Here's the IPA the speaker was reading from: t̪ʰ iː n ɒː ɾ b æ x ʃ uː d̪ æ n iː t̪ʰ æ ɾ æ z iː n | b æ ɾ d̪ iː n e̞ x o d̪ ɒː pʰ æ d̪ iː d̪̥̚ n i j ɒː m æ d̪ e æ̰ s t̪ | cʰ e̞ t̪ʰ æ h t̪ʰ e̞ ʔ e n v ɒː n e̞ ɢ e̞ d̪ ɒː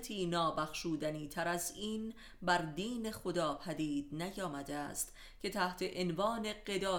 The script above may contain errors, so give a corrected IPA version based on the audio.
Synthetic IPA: t̪ʰ iː n ɒː b æ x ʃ uː d̪ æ n iː t̪ʰ æ ɾ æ z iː n | b æ ɾ d̪ iː n e̞ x o d̪ ɒː pʰ æ d̪ iː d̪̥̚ n æ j ɒː m æ d̪ e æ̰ s t̪ | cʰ e̞ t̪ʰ æ h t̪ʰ e̞ ʔ e n v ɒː n e̞ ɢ e̞ d̪ ɒː